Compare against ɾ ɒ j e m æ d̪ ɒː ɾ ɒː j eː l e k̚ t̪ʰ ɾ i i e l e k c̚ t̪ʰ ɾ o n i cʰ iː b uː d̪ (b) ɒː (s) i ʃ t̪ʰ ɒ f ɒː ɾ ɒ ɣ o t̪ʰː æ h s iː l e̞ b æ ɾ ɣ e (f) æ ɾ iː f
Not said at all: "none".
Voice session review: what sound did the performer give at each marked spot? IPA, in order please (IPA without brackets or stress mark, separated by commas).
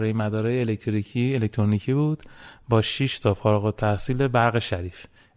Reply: b, ʃ, ʃ